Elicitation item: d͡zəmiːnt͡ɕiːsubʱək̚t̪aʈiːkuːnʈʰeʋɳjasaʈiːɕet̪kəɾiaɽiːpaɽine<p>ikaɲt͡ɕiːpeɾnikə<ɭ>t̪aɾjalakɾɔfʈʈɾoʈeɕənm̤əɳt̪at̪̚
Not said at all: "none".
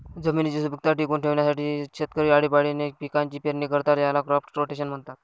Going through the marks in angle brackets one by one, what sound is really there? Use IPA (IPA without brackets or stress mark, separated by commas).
p, ɾ